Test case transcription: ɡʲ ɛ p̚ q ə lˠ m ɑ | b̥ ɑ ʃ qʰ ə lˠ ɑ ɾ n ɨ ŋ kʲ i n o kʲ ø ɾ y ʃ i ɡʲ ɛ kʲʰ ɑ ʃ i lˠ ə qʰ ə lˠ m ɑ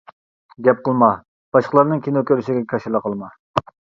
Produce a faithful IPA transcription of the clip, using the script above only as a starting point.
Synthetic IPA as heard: ɡʲ ɛ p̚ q ə lˠ m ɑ | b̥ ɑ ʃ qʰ ə lˠ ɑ ɾ n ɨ ŋ kʲ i n o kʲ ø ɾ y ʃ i ɡʲ ɛ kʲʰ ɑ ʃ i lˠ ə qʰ ə lˠ m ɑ